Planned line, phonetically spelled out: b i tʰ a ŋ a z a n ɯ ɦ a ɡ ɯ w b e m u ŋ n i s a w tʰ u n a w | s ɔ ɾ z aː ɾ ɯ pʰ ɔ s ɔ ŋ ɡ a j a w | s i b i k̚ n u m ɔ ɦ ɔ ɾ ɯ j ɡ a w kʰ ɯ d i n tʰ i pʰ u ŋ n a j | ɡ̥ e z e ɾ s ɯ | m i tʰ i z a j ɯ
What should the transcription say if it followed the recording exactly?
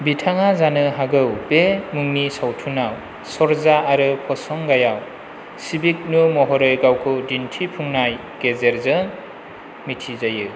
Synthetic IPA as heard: b i tʰ a ŋ a z a n ɯ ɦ a ɡ ɯ w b e m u ŋ n i s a w tʰ u n a w | s ɔ ɾ z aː ɾ ɯ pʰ ɔ s ɔ ŋ ɡ a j a w | s i b i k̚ n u m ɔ ɦ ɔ ɾ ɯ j ɡ a w kʰ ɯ d i n tʰ i pʰ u ŋ n a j | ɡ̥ e z e ɾ z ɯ | m i tʰ i z a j ɯ